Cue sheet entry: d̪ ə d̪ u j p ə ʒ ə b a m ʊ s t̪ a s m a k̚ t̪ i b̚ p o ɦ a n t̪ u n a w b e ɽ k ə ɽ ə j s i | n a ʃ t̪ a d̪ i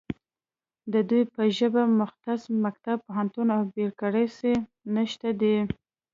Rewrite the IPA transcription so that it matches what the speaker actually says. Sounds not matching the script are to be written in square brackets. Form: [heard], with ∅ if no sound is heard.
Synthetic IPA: d̪ ə d̪ u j p ə ʒ ə b a m ʊ [x] t̪ a s m a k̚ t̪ [a] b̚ p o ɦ a n t̪ u n a w b e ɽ k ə ɽ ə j s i | n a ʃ t̪ a d̪ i